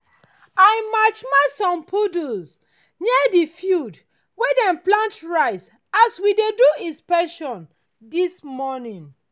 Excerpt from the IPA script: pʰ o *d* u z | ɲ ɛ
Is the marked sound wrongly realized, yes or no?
no